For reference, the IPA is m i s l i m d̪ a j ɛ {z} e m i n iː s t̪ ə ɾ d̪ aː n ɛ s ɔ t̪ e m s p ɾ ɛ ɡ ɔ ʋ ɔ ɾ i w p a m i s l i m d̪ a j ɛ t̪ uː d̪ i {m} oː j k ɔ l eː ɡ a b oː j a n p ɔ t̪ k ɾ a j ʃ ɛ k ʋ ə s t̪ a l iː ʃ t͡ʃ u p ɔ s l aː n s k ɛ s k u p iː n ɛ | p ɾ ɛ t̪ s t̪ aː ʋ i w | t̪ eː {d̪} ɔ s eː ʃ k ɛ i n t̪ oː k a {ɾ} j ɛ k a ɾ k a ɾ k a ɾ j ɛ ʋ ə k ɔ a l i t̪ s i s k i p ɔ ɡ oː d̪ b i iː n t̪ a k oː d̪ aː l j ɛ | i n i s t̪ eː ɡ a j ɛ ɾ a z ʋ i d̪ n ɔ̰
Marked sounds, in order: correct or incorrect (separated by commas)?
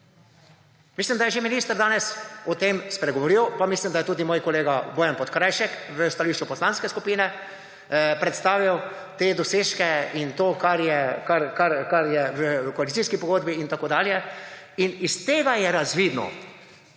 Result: incorrect, correct, correct, correct